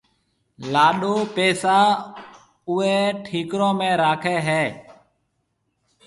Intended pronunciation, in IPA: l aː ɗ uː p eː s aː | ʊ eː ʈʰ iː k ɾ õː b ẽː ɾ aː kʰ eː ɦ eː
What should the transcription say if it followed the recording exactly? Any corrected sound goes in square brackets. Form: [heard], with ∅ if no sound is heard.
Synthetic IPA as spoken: l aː ɗ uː p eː s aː | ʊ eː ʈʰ iː k ɾ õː [m] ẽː ɾ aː kʰ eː ɦ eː

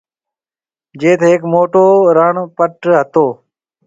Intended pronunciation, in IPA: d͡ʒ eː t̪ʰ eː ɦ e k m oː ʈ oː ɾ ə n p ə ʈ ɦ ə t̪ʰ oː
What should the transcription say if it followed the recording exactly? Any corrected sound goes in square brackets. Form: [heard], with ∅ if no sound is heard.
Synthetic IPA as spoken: d͡ʒ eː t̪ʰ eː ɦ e k m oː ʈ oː ɾ ə [ɳ] p ə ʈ ɦ ə [t̪] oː

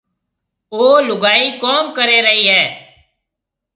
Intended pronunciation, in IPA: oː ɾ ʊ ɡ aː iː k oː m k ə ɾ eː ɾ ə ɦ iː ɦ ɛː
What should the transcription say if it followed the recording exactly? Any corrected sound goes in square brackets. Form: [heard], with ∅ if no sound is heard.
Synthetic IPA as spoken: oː [l] ʊ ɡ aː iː k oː m k ə ɾ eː ɾ ə ɦ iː ɦ ɛː

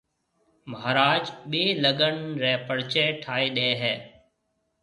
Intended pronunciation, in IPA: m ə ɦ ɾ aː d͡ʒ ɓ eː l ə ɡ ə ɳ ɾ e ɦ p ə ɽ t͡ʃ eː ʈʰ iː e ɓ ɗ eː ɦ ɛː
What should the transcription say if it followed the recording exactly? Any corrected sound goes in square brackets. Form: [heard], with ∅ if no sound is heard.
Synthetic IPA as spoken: m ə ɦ ɾ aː d͡ʒ ɓ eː l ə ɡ ə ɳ ɾ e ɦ p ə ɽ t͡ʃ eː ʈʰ [aː] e [∅] ɗ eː ɦ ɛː

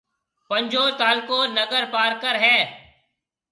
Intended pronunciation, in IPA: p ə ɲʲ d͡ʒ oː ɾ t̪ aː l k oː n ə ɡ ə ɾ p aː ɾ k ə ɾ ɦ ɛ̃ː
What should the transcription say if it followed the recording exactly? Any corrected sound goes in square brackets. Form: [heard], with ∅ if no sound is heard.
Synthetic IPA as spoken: p ə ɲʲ d͡ʒ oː ɾ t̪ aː l k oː n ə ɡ ə ɾ p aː ɾ k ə ɾ ɦ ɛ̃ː

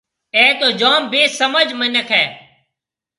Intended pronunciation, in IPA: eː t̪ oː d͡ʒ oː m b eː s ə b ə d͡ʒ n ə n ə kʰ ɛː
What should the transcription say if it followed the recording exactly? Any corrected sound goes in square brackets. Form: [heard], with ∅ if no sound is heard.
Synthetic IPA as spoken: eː t̪ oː d͡ʒ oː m b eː s ə [m] ə d͡ʒ [m] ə n ə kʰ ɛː

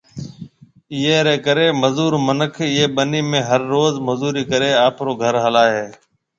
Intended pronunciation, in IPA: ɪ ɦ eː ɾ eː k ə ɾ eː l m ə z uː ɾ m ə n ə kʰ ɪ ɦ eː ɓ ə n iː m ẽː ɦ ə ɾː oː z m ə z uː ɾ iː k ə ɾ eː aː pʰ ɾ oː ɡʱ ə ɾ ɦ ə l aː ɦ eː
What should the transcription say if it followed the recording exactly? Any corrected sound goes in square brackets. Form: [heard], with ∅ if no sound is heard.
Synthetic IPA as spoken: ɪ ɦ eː ɾ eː k ə ɾ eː [∅] m ə z uː ɾ m ə n ə kʰ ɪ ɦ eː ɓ ə n iː m ẽː ɦ ə ɾː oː z m ə z uː ɾ iː k ə ɾ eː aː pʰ ɾ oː ɡʱ ə ɾ ɦ ə l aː ɦ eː

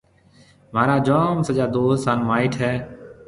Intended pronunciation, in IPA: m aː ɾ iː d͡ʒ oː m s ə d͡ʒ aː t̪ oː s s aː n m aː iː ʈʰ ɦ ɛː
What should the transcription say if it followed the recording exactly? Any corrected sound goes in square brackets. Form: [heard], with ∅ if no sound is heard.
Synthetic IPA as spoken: m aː ɾ [aː] d͡ʒ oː m s ə d͡ʒ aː [d̪] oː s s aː n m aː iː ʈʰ ɦ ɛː

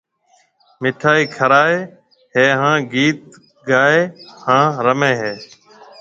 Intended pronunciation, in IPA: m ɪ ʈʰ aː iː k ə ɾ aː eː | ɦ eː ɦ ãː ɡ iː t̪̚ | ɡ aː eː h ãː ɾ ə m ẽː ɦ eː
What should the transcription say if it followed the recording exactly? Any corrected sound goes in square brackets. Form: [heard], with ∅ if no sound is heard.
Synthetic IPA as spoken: m ɪ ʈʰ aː iː [kʰ] ə ɾ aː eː | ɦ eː ɦ ãː ɡ iː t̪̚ | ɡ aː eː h ãː ɾ ə m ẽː ɦ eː

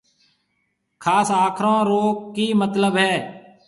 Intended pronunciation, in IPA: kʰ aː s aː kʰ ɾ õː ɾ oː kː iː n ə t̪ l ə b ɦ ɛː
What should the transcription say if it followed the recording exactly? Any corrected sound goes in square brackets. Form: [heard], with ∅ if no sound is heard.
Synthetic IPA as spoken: kʰ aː s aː kʰ ɾ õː ɾ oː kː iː [m] ə t̪ l ə b ɦ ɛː

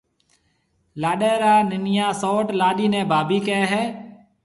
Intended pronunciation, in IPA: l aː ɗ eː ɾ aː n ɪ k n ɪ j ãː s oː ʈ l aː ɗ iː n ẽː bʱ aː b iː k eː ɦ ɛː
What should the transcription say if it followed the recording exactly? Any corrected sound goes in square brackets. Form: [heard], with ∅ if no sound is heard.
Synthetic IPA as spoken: l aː ɗ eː ɾ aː n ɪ [∅] n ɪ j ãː s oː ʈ l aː ɗ iː n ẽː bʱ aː b iː k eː ɦ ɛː

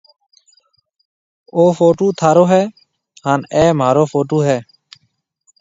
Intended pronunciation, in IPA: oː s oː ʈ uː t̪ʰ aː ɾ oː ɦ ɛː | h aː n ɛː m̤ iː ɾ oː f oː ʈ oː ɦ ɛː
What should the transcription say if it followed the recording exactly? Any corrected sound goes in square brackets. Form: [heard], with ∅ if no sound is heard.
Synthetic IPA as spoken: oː [f] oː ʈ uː t̪ʰ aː ɾ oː ɦ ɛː | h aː n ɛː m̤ [aː] ɾ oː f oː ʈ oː ɦ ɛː

